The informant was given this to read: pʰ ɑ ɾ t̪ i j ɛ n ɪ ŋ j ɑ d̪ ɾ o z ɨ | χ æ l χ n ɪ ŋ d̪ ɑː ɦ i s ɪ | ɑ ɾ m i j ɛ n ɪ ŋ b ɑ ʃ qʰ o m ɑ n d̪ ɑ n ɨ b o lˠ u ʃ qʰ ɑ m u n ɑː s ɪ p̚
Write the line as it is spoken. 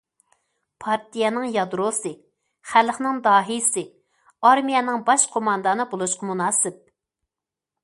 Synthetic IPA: pʰ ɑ ɾ t̪ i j ɛ n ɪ ŋ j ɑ d̪ ɾ o s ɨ | χ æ l χ n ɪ ŋ d̪ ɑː ɦ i s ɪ | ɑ ɾ m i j ɛ n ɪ ŋ b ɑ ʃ qʰ o m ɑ n d̪ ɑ n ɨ b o lˠ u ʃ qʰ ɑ m u n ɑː s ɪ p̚